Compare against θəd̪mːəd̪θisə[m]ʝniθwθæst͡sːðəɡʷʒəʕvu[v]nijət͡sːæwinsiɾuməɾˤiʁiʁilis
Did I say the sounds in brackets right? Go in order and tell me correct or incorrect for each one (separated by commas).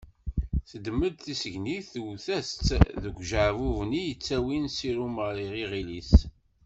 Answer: incorrect, correct